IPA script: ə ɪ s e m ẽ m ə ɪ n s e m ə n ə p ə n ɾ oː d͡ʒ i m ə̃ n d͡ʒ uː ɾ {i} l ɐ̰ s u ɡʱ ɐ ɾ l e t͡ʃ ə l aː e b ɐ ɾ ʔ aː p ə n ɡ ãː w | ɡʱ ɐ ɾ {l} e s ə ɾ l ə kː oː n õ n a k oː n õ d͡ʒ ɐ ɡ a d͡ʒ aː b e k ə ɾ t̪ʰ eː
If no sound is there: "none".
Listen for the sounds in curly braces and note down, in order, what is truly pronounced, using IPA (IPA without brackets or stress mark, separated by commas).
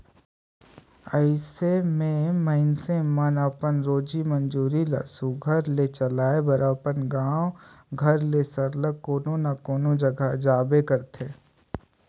i, l